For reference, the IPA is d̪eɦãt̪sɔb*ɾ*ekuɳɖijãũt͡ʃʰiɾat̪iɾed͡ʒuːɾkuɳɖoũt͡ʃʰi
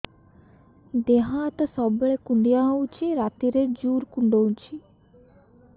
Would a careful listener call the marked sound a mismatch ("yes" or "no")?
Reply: yes